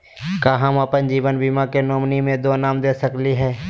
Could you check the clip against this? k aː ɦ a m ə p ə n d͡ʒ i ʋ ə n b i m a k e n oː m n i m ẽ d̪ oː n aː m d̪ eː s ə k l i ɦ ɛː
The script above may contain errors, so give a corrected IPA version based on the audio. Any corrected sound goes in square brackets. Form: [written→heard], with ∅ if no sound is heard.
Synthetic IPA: k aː ɦ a m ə p ə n d͡ʒ [i→iː] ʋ ə n b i m a k e n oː m n i m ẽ d̪ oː n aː m d̪ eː s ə k l i ɦ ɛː